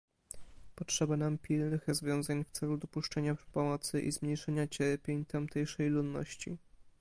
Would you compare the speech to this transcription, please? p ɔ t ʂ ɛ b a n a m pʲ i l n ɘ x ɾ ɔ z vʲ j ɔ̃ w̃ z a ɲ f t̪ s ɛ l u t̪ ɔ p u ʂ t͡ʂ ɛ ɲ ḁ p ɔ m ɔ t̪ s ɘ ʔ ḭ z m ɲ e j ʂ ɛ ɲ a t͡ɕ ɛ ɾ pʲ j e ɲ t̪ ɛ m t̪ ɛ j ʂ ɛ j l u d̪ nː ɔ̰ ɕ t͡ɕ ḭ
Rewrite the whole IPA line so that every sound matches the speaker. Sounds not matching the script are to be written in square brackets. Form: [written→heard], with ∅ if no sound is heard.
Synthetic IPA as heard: p ɔ t ʂ ɛ b a n a m pʲ i l n ɘ x ɾ ɔ z vʲ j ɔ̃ w̃ z a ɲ f t̪ s ɛ l u [t̪→d̪] ɔ p u ʂ t͡ʂ ɛ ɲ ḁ p ɔ m ɔ t̪ s ɘ ʔ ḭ z m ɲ e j ʂ ɛ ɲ a t͡ɕ ɛ ɾ pʲ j e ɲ t̪ [ɛ→a] m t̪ ɛ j ʂ ɛ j l u d̪ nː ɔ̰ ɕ t͡ɕ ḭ